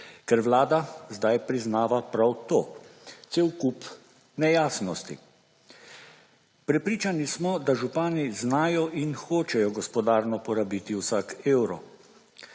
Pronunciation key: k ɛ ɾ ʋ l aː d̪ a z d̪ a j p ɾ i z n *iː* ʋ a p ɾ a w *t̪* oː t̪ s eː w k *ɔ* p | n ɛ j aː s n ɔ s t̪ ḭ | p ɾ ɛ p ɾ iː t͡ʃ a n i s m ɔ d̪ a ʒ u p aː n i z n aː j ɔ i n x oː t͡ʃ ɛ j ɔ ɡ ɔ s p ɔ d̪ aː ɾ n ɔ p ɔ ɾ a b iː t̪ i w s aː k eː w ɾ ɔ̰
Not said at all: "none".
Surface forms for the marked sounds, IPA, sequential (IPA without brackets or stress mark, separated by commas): aː, t̪, u